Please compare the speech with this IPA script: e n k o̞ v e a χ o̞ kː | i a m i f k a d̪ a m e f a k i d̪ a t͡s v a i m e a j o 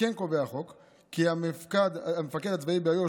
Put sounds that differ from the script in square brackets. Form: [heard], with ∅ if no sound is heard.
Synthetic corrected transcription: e n k o̞ v e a χ o̞ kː | i a m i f k a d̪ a m e f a k [e] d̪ a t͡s v a i [b] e a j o